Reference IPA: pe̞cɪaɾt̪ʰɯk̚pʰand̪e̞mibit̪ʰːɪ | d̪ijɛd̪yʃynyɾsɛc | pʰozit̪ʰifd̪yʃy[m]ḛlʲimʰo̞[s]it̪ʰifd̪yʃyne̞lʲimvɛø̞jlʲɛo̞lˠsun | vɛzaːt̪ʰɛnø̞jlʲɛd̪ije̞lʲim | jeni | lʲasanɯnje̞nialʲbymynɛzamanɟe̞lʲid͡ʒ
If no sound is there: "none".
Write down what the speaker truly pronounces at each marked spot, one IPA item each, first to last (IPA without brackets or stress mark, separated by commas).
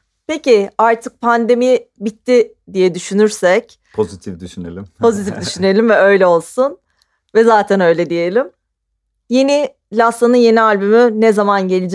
n, z